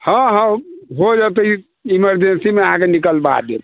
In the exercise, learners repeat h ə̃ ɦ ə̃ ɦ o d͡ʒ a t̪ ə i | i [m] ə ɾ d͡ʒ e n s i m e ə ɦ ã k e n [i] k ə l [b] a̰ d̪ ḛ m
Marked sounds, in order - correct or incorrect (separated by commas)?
correct, correct, correct